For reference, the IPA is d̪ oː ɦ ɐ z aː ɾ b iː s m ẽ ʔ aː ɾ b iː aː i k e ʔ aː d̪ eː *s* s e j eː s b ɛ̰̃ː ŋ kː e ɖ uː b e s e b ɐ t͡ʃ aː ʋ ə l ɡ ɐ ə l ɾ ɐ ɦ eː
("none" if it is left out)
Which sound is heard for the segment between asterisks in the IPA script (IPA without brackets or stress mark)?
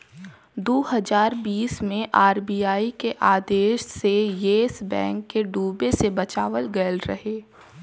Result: ʃ